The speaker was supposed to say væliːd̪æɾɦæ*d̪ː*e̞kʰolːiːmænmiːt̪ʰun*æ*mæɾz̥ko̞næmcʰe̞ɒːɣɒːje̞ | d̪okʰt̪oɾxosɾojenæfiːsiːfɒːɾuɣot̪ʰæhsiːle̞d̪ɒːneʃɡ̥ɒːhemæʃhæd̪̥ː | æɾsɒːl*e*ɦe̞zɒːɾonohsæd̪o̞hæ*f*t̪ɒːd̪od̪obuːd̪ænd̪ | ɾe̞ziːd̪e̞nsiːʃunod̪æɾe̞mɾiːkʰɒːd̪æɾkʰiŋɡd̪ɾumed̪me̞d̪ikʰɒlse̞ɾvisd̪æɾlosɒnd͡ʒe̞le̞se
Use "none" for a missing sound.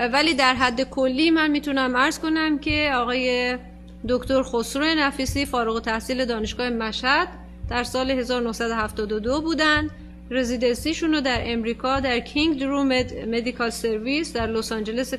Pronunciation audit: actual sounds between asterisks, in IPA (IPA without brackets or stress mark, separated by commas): d̪ː, æ, e, f